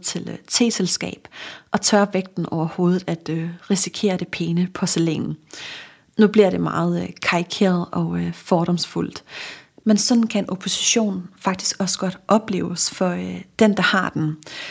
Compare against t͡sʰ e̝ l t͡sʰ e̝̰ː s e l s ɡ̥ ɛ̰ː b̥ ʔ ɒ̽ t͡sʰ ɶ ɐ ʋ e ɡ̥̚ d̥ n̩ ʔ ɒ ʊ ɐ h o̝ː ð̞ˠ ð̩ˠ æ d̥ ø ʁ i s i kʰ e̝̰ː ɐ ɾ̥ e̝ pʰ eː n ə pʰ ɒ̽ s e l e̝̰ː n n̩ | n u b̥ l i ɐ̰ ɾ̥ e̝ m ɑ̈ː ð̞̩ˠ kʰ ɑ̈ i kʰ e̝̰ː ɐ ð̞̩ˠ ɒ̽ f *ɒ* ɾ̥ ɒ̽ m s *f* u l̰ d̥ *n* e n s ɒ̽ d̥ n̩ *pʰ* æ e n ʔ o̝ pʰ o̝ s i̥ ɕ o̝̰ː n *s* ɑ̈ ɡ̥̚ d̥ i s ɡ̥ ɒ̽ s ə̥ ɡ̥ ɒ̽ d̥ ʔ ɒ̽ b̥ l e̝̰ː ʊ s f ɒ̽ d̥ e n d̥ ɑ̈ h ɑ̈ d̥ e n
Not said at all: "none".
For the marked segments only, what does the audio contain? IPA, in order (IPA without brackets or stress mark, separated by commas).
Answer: ɒː, f, m, kʰ, f